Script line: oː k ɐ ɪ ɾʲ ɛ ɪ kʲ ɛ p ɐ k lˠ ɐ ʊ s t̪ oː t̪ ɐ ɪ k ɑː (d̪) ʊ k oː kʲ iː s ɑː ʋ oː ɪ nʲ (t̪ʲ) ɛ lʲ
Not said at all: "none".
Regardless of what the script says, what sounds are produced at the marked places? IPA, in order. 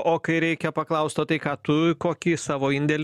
t̪, d̪ʲ

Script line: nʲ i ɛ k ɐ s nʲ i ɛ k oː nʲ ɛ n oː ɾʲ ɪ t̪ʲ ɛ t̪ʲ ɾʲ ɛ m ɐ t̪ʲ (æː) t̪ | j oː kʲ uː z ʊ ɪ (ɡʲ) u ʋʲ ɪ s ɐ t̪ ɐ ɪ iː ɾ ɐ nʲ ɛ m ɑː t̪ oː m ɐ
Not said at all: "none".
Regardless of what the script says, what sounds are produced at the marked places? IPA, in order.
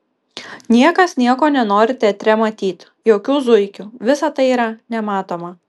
iː, kʲ

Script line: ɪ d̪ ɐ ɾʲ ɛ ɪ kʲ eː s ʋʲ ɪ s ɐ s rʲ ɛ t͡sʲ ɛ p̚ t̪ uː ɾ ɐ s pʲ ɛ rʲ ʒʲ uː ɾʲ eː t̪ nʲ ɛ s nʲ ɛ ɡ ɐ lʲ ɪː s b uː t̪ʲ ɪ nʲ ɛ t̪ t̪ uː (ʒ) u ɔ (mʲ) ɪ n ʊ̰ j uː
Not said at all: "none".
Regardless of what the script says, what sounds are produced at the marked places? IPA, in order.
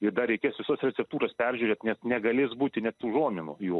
ʒ, mʲ

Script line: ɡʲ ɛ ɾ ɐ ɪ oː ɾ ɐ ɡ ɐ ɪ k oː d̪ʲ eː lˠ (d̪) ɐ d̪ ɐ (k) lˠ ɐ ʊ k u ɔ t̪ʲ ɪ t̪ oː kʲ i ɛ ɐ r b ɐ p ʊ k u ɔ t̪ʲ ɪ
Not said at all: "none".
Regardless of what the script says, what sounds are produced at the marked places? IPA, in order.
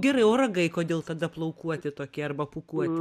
t̪, p

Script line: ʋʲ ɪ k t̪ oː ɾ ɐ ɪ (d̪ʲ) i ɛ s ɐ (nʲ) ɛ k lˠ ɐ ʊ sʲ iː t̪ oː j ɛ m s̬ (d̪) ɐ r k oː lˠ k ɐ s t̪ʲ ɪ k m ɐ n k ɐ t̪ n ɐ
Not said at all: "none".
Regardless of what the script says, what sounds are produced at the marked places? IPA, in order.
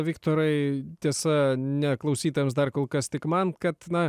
t̪ʲ, nʲ, d̪

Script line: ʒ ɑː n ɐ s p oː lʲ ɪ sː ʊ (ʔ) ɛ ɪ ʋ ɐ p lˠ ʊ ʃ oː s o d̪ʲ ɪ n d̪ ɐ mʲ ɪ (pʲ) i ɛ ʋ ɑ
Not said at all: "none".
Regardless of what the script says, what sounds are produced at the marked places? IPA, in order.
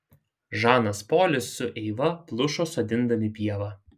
ʔ, pʲ

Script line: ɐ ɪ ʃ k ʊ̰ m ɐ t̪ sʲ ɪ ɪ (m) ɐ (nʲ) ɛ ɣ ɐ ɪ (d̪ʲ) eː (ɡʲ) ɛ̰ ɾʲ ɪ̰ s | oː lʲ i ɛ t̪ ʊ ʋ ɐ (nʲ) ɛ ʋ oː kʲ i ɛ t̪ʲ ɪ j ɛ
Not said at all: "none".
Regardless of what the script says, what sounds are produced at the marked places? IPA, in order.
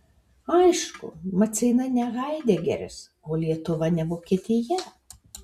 n, nʲ, d̪ʲ, ɡʲ, nʲ

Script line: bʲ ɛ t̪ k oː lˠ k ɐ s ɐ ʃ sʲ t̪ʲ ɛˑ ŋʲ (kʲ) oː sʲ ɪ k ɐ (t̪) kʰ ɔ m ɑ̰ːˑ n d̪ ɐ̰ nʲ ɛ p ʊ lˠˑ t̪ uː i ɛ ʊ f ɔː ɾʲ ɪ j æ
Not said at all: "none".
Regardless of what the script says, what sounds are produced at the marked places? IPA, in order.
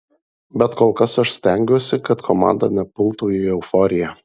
ɡʲ, t̪

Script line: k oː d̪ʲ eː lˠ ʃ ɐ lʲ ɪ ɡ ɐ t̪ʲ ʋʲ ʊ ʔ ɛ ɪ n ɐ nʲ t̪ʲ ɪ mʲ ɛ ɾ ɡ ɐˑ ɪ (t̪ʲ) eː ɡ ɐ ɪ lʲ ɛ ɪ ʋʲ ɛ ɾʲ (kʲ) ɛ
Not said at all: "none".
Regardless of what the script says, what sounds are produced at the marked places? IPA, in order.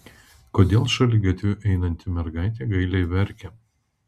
t̪ʲ, kʲ

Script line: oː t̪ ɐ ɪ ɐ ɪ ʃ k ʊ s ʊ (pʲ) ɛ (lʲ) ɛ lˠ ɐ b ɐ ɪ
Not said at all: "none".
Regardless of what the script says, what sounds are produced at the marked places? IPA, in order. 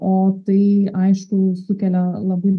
kʲ, lʲ

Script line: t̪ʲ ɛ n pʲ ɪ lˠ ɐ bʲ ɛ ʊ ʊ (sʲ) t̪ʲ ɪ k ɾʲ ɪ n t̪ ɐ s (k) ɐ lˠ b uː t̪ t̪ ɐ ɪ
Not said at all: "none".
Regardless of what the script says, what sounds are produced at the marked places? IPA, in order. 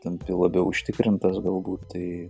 ʃʲ, ɡ

